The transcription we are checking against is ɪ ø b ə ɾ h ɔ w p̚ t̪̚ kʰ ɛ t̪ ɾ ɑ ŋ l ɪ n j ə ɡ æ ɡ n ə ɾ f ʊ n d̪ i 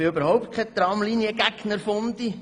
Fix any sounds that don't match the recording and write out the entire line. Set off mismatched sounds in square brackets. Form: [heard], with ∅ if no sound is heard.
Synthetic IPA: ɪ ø b ə ɾ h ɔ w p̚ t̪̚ kʰ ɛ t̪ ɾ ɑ [m] l [i] n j ə ɡ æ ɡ n ə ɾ f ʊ n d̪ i